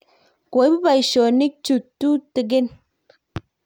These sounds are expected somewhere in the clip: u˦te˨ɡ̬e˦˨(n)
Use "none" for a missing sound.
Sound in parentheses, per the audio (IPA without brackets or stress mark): n